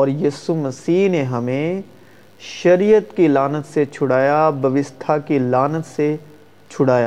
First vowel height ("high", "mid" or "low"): mid